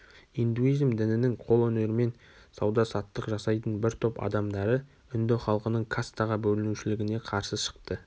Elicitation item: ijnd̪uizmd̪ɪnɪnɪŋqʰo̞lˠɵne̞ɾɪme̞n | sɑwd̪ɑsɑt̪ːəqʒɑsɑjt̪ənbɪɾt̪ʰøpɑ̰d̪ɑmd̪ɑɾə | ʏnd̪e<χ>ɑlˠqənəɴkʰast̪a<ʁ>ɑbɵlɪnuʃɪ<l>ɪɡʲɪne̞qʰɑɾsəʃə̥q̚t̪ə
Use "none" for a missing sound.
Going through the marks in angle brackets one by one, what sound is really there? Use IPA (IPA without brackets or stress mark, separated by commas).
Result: χ, ʁ, l